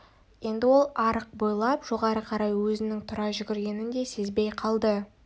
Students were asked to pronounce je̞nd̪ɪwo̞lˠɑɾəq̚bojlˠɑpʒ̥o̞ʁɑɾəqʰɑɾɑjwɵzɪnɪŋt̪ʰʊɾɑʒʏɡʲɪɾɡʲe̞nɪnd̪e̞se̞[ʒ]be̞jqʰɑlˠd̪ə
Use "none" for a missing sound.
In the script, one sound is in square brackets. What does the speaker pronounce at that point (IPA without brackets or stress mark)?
z